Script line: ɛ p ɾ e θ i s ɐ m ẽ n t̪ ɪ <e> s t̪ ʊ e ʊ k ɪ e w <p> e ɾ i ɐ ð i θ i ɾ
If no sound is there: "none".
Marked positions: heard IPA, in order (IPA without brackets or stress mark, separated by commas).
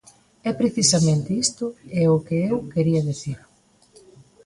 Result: i, k